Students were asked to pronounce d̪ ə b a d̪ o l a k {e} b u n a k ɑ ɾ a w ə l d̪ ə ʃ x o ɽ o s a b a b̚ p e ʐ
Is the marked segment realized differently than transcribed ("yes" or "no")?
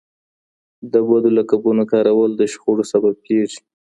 yes